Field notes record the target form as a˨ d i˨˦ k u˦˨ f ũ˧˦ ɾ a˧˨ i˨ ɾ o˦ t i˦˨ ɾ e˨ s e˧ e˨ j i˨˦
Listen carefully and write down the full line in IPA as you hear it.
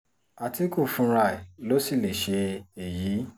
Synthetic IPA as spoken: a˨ t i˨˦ k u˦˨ f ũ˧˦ ɾ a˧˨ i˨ l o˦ s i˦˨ l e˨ ʃ e˧ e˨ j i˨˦